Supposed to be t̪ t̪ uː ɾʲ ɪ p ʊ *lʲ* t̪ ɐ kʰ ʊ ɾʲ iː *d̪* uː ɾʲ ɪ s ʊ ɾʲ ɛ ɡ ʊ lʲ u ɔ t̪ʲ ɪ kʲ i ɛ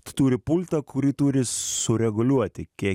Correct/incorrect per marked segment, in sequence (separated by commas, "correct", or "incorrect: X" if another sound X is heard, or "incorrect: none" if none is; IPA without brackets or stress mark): correct, incorrect: t̪